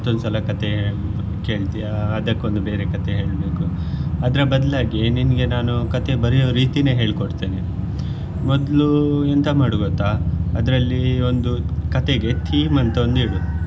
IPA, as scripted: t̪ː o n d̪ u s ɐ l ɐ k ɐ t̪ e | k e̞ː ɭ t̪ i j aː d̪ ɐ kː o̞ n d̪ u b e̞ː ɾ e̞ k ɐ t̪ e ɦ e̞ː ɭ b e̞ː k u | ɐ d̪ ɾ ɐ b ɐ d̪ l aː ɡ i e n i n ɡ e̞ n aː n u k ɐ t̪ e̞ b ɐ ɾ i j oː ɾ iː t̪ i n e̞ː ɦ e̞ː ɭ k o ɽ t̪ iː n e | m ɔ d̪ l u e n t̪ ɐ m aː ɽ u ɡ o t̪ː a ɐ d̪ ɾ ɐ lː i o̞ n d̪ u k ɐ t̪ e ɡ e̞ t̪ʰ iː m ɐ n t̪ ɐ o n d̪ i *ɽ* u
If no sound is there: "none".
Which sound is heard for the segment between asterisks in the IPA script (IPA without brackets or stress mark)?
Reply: ɽ